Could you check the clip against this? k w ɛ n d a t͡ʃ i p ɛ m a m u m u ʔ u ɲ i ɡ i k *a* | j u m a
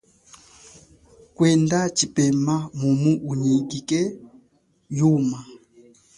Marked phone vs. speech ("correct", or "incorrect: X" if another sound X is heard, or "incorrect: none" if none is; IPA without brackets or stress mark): incorrect: ɛ